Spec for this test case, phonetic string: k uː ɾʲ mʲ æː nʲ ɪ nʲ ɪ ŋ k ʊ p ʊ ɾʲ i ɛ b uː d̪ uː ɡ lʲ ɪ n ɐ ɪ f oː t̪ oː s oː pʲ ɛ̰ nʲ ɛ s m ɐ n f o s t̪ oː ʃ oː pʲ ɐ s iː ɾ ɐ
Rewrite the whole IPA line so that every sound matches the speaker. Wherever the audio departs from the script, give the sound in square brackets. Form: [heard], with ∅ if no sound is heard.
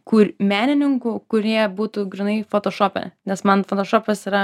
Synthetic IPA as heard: k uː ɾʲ mʲ æː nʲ ɪ nʲ ɪ ŋ k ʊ [k] ʊ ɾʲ i ɛ b uː [t̪] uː ɡ [ɾʲ] ɪ n ɐ ɪ f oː t̪ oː [ʃ] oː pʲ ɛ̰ nʲ ɛ s m ɐ n f o [∅] t̪ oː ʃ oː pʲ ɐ s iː ɾ ɐ